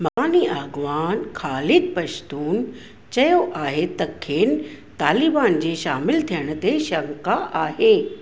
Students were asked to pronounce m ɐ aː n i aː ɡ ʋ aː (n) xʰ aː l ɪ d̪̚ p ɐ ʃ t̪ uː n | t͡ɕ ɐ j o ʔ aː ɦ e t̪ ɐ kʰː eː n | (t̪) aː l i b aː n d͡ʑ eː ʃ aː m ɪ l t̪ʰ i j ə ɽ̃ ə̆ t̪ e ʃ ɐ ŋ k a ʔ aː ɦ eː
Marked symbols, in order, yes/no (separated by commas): yes, yes